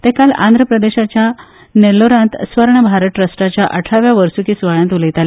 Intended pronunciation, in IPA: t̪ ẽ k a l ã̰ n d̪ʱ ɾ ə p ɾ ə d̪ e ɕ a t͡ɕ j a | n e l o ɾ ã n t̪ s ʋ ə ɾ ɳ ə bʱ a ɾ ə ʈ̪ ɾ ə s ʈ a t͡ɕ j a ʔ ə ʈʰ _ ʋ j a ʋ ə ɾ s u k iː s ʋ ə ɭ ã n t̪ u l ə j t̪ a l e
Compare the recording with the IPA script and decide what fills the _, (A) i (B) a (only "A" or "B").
B